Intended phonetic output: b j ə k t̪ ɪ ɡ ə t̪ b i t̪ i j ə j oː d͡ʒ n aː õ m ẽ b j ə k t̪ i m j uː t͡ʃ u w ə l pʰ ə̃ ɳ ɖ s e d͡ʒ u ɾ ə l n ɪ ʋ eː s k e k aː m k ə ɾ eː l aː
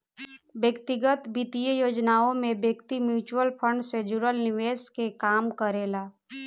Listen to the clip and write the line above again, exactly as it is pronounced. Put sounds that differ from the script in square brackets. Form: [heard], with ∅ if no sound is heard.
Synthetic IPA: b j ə k t̪ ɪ ɡ ə t̪ b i t̪ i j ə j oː d͡ʒ n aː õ m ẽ b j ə k t̪ i m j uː t͡ʃ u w ə l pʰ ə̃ ɳ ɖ s e d͡ʒ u ɾ ə l n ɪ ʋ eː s k e k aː m k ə ɾ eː l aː